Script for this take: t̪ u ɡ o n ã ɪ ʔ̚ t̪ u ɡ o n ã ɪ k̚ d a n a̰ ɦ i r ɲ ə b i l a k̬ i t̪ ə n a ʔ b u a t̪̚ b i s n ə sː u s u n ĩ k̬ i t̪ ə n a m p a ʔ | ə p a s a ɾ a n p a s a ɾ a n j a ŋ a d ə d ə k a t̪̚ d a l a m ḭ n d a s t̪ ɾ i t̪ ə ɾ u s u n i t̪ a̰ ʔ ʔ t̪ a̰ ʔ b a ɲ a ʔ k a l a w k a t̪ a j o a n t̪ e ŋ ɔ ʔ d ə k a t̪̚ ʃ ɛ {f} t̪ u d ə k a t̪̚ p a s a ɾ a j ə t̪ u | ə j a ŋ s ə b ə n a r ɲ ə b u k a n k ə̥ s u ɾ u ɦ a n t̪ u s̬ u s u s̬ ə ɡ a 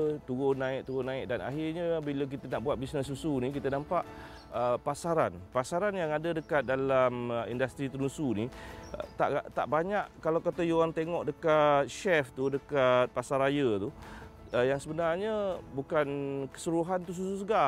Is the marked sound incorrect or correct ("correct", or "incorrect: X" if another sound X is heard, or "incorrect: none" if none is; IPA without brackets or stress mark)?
correct